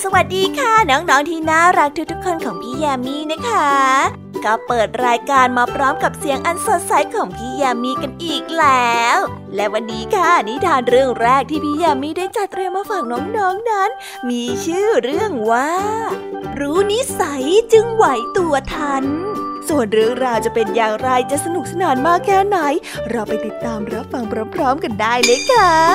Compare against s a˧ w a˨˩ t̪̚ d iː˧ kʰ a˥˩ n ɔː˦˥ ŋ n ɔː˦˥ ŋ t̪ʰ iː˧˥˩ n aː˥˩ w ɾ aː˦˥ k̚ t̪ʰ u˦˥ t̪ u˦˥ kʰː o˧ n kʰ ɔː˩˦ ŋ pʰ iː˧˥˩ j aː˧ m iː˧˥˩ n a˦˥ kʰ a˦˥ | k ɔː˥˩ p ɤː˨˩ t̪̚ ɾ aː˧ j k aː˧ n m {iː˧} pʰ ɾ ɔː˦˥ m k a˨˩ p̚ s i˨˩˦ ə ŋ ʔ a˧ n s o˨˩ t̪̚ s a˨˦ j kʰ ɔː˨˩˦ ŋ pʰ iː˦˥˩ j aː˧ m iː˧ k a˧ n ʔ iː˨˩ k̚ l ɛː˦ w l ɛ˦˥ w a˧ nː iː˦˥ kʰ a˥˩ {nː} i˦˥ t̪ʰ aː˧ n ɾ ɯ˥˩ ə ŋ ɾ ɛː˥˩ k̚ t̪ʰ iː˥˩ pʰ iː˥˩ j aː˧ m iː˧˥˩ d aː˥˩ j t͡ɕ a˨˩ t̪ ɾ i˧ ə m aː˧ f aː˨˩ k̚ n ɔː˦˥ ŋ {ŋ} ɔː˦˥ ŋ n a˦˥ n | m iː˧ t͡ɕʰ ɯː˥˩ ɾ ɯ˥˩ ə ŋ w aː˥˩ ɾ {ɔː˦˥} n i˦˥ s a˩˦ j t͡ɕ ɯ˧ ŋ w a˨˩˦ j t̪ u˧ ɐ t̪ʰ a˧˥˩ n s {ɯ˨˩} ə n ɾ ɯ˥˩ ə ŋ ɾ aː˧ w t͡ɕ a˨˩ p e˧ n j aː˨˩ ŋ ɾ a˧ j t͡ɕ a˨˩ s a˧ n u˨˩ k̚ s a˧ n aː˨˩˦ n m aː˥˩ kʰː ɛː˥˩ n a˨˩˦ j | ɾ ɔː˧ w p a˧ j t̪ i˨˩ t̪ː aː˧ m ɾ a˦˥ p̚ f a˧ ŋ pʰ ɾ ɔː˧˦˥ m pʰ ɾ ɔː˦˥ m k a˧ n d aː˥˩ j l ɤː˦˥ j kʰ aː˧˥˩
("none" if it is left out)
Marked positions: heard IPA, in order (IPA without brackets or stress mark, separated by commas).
aː˧, n, n, uː˦˥, u˨˩